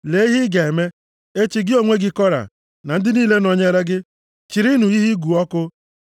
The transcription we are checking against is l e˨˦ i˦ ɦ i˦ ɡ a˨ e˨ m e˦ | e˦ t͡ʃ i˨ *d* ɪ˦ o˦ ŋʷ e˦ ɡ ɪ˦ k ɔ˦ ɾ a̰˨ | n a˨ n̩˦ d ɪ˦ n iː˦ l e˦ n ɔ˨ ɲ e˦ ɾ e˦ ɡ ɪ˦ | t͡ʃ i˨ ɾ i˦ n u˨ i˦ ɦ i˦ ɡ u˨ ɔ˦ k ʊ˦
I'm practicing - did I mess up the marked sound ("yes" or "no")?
yes